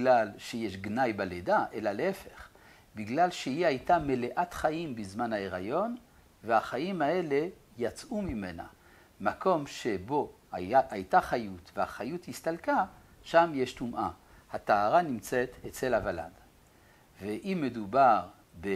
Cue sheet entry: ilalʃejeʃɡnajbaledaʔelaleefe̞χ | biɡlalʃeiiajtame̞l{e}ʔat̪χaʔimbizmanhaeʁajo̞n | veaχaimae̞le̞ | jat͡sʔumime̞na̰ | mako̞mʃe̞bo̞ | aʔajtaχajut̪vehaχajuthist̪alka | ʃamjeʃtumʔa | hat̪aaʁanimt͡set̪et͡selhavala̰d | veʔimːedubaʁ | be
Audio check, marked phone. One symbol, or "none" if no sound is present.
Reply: e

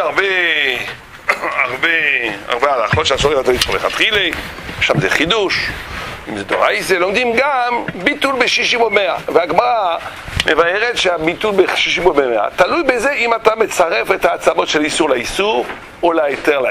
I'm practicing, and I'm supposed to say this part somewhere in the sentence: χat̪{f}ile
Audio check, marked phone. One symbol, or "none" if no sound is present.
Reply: χ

